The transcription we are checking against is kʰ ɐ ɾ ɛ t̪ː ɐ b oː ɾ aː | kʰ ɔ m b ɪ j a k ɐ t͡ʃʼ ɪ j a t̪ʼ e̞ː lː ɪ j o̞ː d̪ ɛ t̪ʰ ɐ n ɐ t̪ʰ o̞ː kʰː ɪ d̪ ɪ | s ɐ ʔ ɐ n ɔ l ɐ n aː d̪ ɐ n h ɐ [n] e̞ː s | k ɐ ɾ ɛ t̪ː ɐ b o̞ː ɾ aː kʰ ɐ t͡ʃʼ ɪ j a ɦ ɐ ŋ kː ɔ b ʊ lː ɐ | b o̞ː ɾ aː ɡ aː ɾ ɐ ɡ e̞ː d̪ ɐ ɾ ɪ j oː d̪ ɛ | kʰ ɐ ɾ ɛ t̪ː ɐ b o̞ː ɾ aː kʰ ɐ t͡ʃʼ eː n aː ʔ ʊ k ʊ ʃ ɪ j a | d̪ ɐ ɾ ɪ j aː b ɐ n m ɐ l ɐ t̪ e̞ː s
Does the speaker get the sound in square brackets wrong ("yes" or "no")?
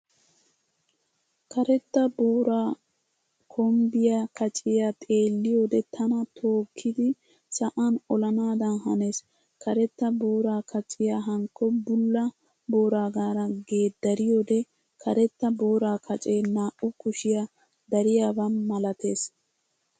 no